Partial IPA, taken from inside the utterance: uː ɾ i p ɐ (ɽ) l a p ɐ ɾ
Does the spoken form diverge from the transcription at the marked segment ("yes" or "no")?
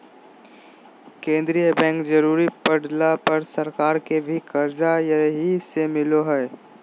no